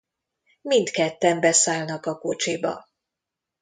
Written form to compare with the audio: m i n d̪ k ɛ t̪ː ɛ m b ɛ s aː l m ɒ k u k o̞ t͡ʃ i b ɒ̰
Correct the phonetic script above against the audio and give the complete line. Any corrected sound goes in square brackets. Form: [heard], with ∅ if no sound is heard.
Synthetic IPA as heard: m i n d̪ k ɛ t̪ː ɛ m b ɛ s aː l [n] ɒ k [ɒ] k o̞ t͡ʃ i b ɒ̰